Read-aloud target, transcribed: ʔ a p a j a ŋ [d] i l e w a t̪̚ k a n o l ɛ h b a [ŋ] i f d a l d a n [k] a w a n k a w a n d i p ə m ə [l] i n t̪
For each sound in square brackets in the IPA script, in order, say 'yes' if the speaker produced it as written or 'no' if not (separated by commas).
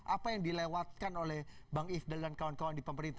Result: yes, yes, yes, no